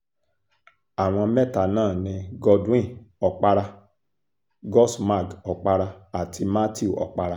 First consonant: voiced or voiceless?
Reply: voiced